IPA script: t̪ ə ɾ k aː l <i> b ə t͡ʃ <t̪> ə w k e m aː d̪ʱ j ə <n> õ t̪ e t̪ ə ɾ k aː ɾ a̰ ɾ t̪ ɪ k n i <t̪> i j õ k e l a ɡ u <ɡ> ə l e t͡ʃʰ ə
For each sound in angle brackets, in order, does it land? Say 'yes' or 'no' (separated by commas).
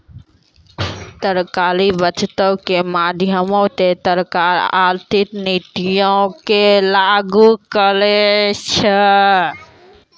yes, yes, no, yes, no